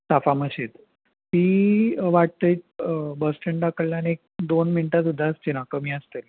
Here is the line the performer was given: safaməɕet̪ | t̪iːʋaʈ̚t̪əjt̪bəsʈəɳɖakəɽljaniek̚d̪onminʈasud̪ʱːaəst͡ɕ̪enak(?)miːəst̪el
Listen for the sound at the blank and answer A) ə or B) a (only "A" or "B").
A